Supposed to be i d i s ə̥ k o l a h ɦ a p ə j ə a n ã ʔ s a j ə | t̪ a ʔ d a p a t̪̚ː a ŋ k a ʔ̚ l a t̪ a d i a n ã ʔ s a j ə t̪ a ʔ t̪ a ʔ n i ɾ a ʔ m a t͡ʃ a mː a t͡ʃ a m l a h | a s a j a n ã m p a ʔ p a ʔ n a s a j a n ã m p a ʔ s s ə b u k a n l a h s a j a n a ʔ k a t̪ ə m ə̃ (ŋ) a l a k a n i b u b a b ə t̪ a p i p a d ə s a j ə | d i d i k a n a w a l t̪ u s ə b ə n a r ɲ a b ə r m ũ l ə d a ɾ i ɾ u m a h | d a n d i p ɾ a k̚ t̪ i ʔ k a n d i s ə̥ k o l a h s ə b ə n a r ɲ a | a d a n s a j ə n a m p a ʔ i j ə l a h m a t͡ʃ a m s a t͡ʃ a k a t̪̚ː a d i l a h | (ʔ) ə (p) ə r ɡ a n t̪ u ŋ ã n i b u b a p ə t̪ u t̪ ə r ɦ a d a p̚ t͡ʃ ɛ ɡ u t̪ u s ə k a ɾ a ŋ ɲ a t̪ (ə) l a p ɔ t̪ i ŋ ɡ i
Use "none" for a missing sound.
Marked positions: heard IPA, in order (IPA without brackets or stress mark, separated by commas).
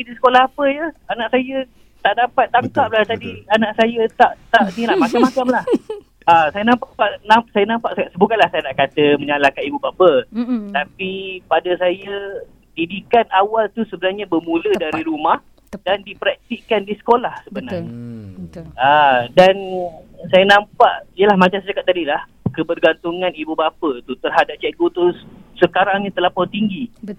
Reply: ɲ, k, b, ə